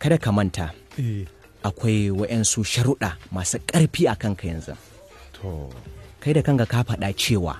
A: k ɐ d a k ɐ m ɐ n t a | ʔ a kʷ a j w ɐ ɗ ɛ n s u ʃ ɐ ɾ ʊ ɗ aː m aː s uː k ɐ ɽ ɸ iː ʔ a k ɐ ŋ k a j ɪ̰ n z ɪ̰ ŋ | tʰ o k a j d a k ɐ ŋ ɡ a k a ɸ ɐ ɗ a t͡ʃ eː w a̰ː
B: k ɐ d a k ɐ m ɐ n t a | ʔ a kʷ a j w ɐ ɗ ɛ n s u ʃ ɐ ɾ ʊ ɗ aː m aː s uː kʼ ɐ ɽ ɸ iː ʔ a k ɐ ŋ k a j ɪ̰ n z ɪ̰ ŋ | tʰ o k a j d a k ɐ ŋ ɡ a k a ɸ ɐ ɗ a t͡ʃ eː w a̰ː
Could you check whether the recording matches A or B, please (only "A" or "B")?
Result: B